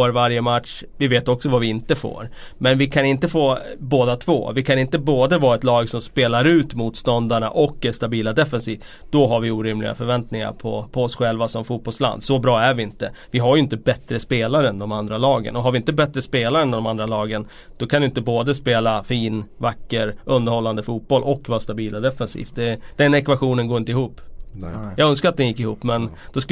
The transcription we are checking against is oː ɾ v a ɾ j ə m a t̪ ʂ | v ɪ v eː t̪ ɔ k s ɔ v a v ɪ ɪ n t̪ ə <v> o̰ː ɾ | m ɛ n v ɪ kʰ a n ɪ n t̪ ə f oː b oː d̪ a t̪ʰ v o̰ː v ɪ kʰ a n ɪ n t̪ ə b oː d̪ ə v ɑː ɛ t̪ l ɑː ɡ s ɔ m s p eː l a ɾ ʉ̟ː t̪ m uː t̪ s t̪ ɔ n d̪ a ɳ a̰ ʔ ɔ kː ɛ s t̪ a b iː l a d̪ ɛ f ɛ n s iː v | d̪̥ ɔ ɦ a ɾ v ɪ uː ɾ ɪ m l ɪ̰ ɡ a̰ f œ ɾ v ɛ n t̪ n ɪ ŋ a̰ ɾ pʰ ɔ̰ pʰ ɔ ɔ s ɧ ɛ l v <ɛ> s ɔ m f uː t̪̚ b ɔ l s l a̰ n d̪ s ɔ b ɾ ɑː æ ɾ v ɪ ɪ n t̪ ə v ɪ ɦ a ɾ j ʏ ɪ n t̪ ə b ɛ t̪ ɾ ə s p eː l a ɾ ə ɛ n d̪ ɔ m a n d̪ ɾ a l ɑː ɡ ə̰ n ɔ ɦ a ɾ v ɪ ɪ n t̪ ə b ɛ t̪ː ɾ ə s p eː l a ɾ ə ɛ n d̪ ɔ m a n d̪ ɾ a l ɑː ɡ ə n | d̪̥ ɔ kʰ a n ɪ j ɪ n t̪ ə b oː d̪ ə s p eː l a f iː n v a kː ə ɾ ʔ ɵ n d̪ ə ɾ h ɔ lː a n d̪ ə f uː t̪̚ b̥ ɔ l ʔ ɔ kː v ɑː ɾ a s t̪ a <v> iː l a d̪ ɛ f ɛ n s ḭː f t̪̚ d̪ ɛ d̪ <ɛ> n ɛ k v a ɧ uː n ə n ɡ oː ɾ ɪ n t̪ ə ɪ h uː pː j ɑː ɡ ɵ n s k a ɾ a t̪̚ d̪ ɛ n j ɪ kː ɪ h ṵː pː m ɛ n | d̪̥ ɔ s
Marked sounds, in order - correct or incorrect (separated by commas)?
incorrect, incorrect, incorrect, correct